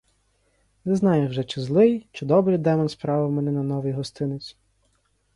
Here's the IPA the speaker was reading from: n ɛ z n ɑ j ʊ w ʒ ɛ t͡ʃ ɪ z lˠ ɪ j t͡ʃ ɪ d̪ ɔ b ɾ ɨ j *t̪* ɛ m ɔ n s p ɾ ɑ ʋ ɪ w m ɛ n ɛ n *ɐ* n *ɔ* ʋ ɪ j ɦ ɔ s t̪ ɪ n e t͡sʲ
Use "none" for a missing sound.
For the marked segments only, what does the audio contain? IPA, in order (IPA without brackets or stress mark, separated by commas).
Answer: d̪, ɐ, ɔ